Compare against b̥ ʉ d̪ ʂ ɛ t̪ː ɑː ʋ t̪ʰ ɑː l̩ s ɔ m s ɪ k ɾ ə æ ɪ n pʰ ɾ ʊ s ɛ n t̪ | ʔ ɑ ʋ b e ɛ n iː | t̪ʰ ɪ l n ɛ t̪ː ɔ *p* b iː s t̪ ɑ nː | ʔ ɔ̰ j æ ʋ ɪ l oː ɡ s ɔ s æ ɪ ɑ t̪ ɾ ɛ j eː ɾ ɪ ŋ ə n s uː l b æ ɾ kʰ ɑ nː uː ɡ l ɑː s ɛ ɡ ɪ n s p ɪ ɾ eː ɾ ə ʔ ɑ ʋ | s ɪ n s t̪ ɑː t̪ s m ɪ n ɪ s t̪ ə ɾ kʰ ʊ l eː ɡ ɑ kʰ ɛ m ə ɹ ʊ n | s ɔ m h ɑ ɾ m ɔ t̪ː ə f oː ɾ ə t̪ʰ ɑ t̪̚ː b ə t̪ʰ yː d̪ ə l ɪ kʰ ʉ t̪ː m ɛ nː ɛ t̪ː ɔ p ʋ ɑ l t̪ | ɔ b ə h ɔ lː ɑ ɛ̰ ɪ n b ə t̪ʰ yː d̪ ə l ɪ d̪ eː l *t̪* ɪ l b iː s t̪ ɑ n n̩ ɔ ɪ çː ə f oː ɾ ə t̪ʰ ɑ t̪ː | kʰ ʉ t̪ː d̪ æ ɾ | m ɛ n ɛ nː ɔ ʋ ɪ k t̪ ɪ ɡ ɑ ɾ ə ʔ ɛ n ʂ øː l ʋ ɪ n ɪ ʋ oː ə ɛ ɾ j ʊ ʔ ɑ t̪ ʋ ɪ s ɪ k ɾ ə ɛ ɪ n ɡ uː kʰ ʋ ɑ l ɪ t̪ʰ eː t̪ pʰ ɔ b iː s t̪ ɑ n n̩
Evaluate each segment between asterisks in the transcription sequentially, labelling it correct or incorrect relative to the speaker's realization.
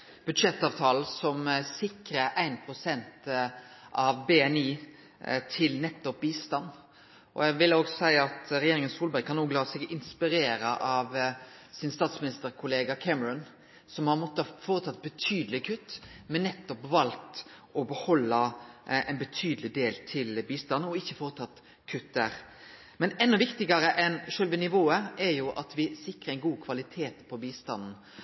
correct, incorrect: t̪ʰ

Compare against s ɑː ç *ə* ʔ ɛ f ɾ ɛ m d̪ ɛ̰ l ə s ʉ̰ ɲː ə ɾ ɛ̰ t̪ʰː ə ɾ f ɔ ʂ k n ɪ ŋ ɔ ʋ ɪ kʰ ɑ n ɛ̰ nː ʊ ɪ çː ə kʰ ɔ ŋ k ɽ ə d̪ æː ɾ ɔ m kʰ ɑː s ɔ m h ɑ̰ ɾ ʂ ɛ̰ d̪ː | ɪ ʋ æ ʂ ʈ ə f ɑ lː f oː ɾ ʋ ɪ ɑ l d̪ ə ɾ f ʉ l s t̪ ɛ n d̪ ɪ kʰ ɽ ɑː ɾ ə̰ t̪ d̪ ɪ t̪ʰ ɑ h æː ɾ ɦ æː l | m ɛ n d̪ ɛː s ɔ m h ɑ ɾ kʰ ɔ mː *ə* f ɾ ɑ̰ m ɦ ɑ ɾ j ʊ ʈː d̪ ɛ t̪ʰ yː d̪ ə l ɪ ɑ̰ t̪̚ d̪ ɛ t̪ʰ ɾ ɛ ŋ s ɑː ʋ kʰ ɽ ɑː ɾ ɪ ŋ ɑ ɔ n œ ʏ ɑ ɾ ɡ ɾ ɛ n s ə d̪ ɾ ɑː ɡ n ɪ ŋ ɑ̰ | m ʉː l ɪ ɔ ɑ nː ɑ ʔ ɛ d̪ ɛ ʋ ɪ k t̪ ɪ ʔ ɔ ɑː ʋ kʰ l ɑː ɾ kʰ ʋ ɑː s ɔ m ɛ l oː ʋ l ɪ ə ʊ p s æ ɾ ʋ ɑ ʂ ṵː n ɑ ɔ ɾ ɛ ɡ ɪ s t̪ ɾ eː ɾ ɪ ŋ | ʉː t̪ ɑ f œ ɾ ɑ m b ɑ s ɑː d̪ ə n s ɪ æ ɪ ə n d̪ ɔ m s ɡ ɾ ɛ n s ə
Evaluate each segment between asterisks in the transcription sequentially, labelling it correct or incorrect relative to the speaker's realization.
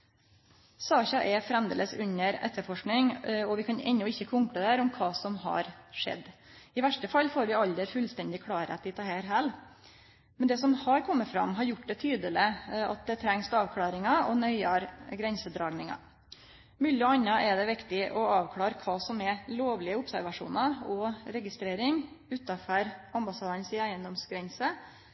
incorrect: ɑ, correct

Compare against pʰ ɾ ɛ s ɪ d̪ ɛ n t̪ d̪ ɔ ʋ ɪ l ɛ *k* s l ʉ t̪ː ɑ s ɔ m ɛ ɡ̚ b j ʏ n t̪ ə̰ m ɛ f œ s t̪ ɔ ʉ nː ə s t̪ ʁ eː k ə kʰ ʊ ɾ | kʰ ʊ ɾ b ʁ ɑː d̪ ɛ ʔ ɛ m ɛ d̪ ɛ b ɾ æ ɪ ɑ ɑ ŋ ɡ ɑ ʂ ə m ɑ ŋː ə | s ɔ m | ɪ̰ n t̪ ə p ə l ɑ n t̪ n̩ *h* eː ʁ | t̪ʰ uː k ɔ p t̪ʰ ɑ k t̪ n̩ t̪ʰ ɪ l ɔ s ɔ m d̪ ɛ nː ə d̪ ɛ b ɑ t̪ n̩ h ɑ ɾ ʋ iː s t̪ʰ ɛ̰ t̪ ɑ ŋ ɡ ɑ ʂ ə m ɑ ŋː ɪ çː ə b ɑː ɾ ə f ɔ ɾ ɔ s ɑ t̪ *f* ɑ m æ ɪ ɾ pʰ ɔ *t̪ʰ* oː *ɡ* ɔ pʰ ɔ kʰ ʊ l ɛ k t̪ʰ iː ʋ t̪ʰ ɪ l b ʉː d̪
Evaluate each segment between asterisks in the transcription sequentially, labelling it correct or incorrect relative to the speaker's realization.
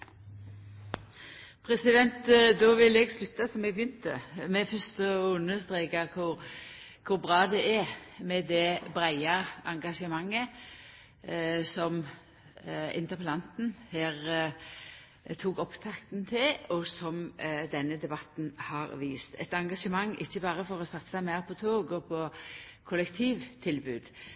incorrect: ɡ, correct, incorrect: s, correct, correct

